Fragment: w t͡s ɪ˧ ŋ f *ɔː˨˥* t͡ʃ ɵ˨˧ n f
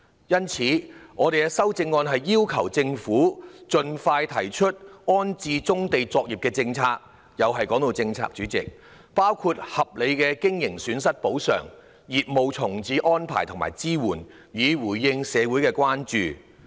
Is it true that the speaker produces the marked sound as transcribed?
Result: no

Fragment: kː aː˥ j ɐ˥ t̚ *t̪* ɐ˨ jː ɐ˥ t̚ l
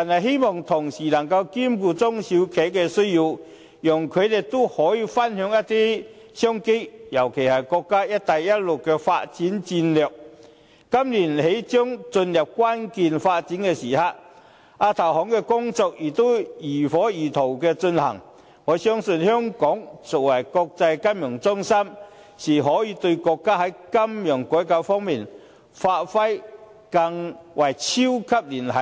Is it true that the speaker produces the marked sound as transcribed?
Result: yes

